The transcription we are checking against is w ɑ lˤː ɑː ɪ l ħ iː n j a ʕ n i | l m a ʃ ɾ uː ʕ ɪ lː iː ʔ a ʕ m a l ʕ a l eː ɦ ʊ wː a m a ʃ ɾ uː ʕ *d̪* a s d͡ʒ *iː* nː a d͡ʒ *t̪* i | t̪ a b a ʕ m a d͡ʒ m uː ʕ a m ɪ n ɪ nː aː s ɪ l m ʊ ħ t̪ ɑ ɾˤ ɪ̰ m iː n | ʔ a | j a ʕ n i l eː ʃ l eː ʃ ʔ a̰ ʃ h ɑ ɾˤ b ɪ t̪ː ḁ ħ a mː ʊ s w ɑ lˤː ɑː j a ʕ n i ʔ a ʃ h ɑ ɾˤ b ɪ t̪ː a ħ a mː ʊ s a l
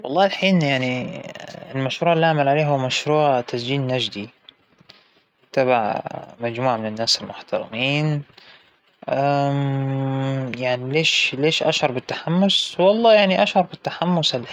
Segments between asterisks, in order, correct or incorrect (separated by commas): incorrect, correct, incorrect